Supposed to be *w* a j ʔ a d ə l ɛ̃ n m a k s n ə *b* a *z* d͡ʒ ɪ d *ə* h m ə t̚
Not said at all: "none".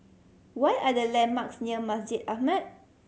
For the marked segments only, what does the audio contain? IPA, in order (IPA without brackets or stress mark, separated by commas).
w, m, s, a